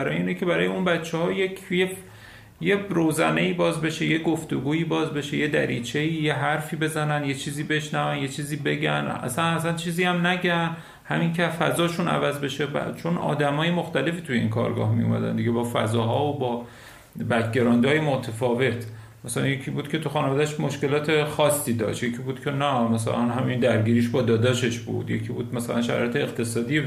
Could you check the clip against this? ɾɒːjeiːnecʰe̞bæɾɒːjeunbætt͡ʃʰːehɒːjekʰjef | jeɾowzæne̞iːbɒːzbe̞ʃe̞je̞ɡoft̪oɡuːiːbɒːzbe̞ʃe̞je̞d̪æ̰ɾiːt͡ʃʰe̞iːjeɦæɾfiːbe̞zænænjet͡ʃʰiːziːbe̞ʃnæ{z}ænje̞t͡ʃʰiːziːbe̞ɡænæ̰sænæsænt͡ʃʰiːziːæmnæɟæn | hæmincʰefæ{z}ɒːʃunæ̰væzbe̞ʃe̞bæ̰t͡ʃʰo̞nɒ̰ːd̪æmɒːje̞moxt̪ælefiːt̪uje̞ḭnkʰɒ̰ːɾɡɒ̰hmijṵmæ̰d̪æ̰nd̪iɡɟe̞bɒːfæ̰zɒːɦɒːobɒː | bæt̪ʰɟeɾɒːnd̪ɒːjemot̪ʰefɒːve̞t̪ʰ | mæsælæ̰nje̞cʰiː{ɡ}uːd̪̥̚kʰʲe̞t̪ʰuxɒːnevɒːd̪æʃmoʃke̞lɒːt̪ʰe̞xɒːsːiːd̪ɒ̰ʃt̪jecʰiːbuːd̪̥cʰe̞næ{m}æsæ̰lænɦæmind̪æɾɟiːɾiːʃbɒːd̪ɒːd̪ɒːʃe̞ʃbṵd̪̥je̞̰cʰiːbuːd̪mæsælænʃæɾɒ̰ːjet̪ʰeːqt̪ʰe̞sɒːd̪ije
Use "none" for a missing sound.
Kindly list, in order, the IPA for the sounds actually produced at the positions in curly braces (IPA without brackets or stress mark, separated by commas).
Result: v, z, b, m